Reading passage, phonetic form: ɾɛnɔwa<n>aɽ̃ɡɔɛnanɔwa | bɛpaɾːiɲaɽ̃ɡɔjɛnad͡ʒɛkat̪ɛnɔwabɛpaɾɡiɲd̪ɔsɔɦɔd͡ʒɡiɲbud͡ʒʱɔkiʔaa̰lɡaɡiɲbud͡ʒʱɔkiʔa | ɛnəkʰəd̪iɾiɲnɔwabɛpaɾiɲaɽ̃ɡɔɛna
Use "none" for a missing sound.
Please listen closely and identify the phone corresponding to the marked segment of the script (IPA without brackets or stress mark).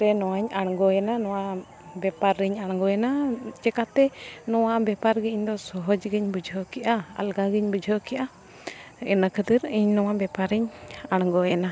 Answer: ɲ